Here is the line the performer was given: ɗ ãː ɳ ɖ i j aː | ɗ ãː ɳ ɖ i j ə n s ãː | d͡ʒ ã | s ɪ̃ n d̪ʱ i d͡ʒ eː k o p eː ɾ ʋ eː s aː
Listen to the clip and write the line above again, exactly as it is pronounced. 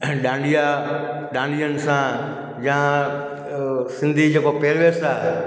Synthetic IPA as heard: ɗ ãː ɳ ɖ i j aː | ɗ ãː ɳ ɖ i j ə n s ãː | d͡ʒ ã | s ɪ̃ n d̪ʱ i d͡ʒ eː k o p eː ɾ ʋ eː s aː